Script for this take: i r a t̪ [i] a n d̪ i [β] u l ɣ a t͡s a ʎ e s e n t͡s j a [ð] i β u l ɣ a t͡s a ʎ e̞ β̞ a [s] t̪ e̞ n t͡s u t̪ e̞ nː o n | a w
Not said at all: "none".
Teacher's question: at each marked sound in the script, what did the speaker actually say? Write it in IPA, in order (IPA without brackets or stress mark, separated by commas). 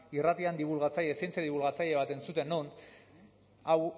i, β, ð, none